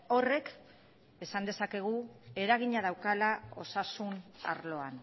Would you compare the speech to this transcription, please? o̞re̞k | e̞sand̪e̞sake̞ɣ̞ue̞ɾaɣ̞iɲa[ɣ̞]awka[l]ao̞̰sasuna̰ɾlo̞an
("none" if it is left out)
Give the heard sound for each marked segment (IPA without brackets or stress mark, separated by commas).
ð̞, l